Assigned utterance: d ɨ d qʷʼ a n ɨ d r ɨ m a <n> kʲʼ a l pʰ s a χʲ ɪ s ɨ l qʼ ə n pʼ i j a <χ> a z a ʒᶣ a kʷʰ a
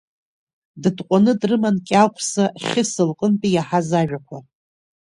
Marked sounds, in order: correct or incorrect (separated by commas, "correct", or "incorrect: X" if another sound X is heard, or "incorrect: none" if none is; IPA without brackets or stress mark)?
correct, incorrect: ħ